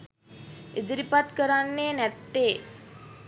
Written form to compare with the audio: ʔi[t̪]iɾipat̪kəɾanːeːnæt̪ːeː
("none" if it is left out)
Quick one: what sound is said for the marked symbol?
d̪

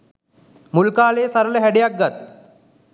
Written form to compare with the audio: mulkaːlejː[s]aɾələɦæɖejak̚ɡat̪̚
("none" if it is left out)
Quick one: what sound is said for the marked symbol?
s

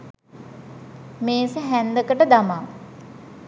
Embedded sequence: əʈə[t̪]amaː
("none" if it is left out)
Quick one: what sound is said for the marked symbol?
d̪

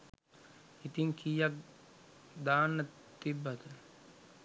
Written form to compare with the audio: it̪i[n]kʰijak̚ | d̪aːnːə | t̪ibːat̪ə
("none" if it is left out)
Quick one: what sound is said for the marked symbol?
ŋ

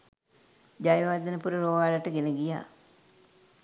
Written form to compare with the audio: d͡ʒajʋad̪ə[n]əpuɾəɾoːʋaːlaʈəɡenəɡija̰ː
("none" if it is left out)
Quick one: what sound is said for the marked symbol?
n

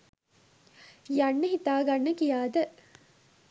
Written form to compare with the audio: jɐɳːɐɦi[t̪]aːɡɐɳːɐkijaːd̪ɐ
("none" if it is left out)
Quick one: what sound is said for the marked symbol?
t̪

